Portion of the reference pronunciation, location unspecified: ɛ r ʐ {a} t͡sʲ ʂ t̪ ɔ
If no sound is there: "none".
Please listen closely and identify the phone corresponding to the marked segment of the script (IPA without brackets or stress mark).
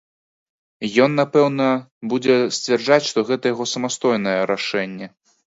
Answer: a